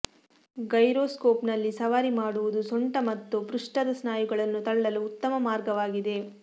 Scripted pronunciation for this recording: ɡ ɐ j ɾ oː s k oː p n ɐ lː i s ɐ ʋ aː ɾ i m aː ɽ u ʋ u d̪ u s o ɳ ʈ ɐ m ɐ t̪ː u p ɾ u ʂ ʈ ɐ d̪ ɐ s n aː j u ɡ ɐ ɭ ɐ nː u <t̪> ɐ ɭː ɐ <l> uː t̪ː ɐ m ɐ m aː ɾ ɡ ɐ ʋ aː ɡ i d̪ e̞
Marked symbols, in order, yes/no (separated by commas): yes, yes